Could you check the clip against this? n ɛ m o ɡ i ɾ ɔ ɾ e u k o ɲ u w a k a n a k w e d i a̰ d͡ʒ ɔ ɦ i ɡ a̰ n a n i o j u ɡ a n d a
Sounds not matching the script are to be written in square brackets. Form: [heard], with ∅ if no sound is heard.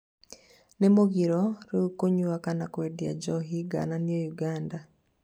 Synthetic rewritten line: n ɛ m o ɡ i ɾ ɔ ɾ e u k o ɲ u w a k a n a k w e d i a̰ d͡ʒ ɔ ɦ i ɡ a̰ n a n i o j u ɡ a n d a